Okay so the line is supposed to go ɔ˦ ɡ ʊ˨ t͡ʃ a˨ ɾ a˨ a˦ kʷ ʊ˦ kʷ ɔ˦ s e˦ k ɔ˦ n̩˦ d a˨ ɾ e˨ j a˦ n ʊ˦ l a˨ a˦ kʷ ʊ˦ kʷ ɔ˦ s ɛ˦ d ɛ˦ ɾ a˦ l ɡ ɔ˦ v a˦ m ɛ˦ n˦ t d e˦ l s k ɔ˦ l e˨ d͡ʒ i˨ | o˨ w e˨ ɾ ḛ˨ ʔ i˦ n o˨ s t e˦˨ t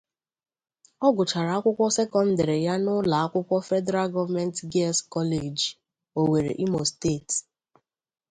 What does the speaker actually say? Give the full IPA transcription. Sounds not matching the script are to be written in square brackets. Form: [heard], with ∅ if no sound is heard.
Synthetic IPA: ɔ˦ ɡ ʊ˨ t͡ʃ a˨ ɾ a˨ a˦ kʷ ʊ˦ kʷ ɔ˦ s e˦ k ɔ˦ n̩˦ d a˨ ɾ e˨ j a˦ n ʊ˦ l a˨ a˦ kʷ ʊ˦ kʷ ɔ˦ [f] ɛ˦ d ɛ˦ ɾ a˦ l ɡ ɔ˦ v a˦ m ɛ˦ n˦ t [ɡ] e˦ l s k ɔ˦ l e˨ d͡ʒ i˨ | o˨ w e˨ ɾ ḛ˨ ʔ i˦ [m] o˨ s t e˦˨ t

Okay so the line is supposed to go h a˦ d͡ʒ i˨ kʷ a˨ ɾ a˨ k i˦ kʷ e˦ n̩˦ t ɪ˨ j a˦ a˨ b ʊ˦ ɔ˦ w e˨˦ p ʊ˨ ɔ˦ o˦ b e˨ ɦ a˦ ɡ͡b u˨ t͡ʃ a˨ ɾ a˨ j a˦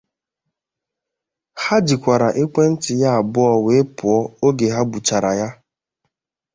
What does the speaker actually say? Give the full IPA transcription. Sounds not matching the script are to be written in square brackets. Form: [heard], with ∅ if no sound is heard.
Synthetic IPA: h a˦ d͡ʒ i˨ kʷ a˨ ɾ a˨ [ʔ] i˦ kʷ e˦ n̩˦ t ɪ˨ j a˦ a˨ b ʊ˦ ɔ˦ w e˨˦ p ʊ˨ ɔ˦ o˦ [ɡ] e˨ ɦ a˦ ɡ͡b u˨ t͡ʃ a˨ ɾ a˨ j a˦

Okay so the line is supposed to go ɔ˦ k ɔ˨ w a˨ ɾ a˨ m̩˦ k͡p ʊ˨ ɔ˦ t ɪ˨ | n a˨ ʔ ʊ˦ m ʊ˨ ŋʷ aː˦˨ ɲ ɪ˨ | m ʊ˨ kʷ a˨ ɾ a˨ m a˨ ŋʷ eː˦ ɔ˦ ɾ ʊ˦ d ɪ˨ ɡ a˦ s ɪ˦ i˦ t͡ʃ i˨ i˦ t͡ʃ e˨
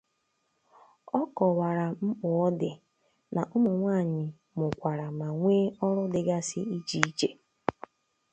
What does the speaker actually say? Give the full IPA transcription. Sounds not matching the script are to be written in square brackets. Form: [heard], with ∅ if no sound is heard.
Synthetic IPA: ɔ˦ k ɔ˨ w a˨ ɾ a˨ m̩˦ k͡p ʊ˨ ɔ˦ [d] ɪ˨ | n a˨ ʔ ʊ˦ m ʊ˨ ŋʷ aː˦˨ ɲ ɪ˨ | m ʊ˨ kʷ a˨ ɾ a˨ m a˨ ŋʷ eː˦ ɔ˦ ɾ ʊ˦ d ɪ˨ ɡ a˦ s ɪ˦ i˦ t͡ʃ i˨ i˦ t͡ʃ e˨

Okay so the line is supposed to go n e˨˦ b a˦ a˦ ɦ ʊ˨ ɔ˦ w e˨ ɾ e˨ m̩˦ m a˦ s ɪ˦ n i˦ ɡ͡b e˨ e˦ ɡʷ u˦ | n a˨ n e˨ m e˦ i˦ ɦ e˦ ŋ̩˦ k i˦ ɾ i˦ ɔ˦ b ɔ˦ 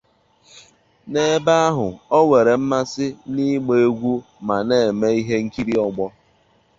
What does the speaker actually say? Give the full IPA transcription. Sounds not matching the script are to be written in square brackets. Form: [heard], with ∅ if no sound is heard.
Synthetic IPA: n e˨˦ b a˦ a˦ ɦ ʊ˨ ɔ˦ w e˨ ɾ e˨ m̩˦ m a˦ s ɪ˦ n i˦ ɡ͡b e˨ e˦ ɡʷ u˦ | [m] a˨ n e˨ m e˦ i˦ ɦ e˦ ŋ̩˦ k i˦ ɾ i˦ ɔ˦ [ɡ͡b] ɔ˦

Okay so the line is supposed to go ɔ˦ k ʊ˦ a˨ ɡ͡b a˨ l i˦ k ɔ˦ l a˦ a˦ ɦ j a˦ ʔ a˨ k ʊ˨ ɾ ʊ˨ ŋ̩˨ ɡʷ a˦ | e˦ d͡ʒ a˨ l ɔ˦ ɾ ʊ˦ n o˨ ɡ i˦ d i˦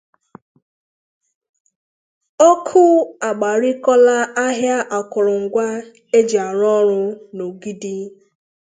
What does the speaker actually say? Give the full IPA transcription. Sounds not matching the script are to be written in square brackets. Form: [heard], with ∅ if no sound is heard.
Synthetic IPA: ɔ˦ [kʰ] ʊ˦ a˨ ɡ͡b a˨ [ɾ] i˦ k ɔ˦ l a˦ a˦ ɦ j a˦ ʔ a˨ k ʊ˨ ɾ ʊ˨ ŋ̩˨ ɡʷ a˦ | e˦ d͡ʒ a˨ [ɾ] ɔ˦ ɾ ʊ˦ n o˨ ɡ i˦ d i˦

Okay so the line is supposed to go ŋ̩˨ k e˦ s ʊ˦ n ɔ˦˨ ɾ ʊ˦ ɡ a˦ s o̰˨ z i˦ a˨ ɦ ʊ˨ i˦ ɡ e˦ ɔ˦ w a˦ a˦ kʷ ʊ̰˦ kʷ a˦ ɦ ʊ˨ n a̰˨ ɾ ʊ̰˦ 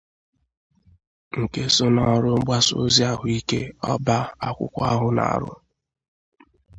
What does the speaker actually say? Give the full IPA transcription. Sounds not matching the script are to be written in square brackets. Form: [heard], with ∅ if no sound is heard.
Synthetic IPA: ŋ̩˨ k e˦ s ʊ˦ n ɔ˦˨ ɾ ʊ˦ [ɡ͡b] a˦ s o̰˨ z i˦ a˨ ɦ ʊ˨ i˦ [k] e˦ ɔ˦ [b] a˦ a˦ kʷ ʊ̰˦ kʷ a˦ ɦ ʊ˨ n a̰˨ ɾ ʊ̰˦

